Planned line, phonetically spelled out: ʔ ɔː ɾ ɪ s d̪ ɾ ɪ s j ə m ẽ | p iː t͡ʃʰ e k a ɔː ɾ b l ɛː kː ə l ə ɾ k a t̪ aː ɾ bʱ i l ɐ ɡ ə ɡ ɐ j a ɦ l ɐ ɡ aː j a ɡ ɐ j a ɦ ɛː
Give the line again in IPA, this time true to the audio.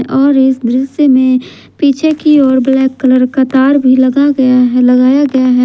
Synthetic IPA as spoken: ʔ ɔː ɾ ɪ s d̪ ɾ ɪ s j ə m ẽ | p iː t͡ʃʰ e k i ɔː ɾ b l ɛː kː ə l ə ɾ k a t̪ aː ɾ bʱ i l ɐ ɡ a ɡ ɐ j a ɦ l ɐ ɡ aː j a ɡ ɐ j a ɦ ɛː

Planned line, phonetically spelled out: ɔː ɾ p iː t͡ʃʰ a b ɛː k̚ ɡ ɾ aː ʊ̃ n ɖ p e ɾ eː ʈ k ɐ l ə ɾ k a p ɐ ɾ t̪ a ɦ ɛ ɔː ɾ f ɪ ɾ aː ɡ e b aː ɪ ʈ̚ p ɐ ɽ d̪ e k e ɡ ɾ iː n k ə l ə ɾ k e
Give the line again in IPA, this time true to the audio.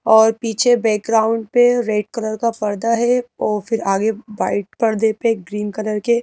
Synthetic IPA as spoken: ɔː ɾ p iː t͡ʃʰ e b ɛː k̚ ɡ ɾ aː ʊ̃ ɳ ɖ p e ɾ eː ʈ k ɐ l ə ɾ k a p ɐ ɾ d̪ a ɦ ɛ ɔː ɾ f ɪ ɾ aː ɡ e b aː ɪ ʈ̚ p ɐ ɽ d̪ e p e ɡ ɾ iː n k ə l ə ɾ k e

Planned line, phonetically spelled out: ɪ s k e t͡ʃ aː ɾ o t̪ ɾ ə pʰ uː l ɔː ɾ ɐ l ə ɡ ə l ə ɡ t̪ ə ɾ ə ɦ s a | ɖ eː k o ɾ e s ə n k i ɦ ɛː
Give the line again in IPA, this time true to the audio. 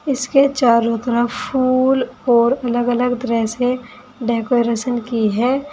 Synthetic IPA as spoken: ɪ s k e t͡ʃ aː ɾ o t̪ ɾ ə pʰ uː l ɔː ɾ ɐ l ə ɡ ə l ə ɡ t̪ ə ɾ ə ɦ s e | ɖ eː k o ɾ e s ə n k i ɦ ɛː

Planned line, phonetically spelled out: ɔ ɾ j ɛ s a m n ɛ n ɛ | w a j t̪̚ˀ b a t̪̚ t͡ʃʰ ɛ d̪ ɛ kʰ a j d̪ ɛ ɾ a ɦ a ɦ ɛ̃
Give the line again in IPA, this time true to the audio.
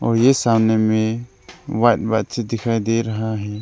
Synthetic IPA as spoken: ɔ ɾ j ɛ s a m n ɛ m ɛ | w a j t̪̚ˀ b a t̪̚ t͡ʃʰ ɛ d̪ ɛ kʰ a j d̪ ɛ ɾ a ɦ a ɦ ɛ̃

